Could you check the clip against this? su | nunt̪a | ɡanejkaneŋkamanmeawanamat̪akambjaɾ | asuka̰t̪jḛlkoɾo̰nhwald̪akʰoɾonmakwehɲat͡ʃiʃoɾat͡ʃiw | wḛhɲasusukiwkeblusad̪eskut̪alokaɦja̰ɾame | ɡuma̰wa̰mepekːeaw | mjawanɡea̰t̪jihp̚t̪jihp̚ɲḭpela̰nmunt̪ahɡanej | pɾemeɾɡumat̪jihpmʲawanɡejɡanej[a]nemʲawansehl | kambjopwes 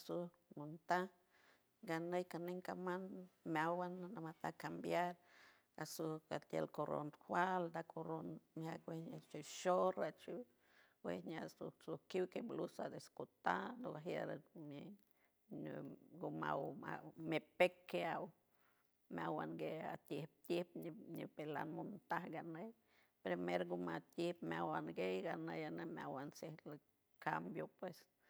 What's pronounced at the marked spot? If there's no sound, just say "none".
a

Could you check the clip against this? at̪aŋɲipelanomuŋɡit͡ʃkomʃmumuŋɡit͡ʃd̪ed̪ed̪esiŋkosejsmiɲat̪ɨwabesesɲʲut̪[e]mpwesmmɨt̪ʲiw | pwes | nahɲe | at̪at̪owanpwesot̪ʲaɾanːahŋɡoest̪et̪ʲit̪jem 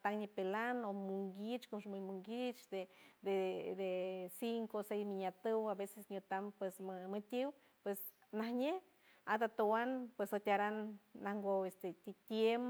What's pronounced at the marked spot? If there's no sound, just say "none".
a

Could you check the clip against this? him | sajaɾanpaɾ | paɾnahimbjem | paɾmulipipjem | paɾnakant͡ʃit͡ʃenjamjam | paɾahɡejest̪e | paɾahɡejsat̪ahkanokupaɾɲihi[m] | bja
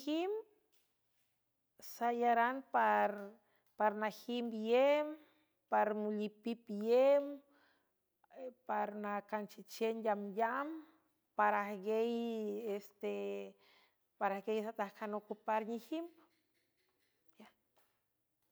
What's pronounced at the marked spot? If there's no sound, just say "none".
m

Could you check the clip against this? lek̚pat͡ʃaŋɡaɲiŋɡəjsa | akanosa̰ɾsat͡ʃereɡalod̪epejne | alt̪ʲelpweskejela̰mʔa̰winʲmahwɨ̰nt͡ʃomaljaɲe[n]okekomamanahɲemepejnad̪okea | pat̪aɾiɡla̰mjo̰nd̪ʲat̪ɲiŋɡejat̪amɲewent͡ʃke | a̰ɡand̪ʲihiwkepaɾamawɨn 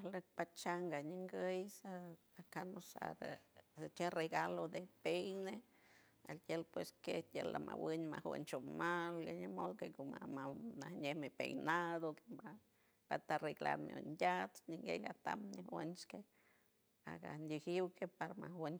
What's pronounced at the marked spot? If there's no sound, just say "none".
m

